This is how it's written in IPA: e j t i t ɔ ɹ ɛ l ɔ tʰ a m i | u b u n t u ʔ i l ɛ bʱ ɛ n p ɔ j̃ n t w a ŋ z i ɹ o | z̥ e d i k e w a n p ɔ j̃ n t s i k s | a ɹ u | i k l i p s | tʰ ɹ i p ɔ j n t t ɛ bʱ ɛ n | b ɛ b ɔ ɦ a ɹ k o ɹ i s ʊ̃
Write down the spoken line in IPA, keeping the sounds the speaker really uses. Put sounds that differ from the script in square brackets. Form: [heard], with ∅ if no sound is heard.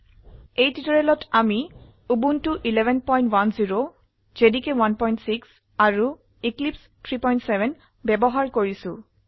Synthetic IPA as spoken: e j t i t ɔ ɹ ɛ l ɔ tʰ a m i | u b u n t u ʔ i l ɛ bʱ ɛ n p ɔ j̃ n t w a [n] z i ɹ o | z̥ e d i k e w a n p ɔ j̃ n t s i k s | a ɹ u | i k l i p s | tʰ ɹ i p ɔ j n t [s] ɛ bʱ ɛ n | b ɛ b ɔ ɦ a ɹ k o ɹ i s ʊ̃